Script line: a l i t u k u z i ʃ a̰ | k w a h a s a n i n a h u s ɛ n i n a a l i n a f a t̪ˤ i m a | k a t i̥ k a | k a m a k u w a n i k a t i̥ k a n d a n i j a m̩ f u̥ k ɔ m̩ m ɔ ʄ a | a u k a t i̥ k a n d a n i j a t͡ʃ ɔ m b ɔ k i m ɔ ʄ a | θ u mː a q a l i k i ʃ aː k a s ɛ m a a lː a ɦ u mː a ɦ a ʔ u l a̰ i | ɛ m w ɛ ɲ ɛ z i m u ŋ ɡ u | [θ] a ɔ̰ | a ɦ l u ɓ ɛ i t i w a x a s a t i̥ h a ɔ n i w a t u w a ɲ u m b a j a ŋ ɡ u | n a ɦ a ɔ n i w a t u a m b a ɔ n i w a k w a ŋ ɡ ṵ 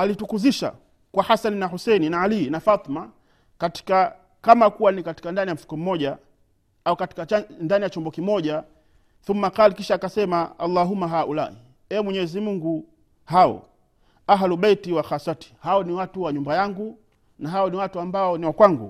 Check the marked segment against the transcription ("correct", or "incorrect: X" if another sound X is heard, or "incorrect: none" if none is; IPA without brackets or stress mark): incorrect: h